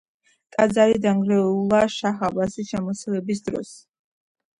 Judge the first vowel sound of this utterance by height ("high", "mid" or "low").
low